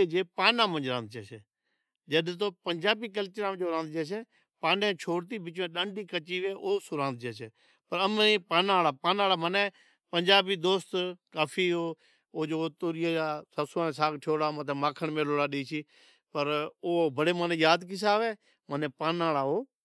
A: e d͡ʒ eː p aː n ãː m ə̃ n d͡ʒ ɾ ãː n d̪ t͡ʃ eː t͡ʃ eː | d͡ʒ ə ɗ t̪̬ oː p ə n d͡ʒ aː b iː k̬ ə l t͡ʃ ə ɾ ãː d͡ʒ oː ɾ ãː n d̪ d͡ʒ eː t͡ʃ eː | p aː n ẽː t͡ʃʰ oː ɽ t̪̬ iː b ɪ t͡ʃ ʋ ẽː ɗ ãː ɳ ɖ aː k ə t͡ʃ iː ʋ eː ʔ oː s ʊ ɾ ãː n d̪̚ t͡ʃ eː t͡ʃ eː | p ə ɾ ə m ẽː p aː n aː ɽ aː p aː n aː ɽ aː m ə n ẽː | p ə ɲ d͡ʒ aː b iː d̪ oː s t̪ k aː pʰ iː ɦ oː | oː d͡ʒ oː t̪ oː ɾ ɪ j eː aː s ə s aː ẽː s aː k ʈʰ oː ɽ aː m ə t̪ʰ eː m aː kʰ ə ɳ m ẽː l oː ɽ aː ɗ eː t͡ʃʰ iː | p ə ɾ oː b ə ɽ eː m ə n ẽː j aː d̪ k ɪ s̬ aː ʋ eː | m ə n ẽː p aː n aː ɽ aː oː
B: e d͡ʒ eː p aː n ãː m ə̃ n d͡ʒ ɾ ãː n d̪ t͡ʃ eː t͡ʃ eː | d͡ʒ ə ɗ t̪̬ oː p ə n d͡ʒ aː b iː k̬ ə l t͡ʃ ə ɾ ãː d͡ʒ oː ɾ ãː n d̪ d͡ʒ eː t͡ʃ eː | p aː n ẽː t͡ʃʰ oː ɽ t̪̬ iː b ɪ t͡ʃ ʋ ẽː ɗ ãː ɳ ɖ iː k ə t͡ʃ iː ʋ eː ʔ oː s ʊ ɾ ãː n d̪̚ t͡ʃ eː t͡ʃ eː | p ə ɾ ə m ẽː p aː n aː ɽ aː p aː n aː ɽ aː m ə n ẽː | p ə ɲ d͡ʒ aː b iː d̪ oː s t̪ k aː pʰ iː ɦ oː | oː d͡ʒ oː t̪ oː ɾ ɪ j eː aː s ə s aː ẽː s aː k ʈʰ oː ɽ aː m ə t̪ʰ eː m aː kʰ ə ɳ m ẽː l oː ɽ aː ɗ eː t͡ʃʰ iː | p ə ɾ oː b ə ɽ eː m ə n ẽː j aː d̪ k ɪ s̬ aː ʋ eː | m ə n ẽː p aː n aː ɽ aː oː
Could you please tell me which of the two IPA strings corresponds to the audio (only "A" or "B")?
B